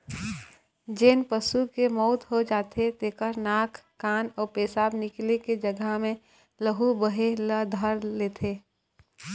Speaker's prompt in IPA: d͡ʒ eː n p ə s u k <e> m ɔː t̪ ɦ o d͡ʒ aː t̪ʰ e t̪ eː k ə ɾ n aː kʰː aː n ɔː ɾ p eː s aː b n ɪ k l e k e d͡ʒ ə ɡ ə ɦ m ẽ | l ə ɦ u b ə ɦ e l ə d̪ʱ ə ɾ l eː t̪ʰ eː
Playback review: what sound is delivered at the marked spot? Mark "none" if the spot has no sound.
e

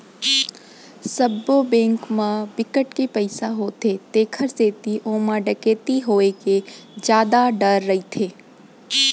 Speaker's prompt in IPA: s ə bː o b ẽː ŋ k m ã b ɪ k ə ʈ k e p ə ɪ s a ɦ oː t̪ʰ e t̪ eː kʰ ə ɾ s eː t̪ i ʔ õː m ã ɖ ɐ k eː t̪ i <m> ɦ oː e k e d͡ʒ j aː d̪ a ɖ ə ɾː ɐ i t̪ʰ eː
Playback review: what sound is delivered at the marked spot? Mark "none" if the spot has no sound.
none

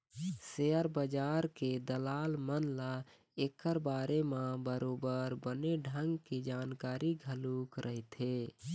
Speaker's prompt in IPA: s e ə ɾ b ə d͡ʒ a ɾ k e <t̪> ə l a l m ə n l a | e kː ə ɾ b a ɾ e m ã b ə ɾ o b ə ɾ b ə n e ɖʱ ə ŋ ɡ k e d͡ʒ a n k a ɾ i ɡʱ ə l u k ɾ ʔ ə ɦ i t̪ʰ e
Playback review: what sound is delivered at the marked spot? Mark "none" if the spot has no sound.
d̪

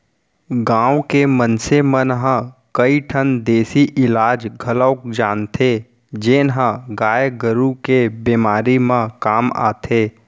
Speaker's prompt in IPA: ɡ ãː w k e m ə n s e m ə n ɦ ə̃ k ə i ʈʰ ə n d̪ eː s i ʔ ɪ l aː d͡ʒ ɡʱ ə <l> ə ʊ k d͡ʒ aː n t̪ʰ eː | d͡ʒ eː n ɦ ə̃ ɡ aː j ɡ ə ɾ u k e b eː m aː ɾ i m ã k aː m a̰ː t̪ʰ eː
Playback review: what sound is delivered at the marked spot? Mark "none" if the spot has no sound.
l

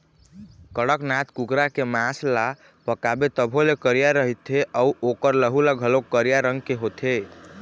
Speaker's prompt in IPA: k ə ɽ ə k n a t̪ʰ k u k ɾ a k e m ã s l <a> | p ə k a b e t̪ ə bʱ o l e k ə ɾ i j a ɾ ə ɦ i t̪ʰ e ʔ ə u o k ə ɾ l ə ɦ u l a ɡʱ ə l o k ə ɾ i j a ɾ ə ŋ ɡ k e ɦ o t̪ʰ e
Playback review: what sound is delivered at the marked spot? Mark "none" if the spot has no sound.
a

